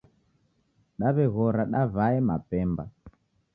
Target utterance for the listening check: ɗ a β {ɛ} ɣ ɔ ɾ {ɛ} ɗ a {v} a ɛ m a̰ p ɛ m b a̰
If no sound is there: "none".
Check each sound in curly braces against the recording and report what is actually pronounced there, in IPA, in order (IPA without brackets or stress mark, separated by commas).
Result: ɛ, a, v